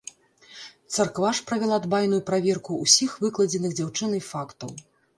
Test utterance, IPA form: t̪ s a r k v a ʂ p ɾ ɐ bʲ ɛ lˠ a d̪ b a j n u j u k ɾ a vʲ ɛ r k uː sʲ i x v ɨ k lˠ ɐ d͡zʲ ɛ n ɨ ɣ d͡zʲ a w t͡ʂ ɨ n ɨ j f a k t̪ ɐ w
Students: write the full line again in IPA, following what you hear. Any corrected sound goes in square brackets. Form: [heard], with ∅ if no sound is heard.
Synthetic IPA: t̪ s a r k v a ʂ p ɾ ɐ [vʲ] ɛ lˠ a d̪ b a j n u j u [p] ɾ a vʲ ɛ r k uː sʲ i x v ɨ k lˠ ɐ d͡zʲ ɛ n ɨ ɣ d͡zʲ a w t͡ʂ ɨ n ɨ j f a k t̪ ɐ w